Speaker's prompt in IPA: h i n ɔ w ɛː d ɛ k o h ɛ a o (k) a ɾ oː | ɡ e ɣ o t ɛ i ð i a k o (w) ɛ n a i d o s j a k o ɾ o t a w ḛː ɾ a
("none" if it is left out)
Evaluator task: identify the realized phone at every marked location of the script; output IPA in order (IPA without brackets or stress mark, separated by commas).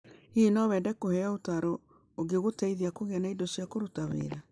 t, ɣ